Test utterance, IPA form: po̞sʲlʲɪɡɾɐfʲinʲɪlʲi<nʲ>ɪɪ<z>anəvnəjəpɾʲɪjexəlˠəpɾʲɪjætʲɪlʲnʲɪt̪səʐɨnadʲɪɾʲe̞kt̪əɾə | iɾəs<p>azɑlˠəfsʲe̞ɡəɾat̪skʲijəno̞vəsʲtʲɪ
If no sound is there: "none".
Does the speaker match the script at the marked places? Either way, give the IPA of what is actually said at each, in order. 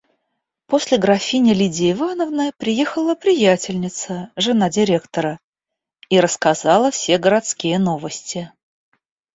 dʲ, v, k

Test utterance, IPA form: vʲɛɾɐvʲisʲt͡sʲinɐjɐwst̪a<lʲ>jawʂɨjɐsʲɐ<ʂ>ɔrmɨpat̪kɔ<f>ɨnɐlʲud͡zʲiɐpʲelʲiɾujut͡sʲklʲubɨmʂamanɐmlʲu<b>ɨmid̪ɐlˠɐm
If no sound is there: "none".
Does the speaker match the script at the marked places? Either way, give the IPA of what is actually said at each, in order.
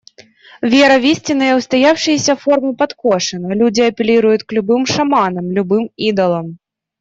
none, f, ʂ, b

